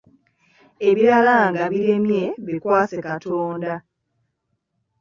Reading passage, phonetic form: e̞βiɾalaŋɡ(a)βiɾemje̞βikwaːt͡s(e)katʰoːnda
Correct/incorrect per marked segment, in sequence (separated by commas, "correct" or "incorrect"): correct, correct